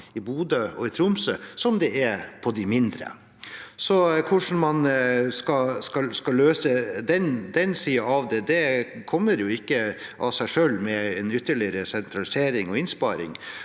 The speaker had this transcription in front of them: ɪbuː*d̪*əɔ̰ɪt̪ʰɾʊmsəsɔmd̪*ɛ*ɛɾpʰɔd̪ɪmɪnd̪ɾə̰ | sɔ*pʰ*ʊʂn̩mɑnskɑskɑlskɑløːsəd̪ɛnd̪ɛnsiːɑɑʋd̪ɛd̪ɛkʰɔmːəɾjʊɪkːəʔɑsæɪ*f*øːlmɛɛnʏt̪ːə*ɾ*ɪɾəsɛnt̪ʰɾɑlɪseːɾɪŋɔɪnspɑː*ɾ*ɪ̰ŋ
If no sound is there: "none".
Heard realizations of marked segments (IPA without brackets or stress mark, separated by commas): d̪, ɛ, kʰ, ʂ, ɭ, ɾ